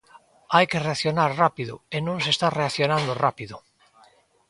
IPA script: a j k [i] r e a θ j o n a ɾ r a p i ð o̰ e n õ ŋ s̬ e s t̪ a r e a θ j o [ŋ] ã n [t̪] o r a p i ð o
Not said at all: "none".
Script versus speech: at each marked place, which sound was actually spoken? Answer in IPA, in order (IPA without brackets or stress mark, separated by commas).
e, n, d̪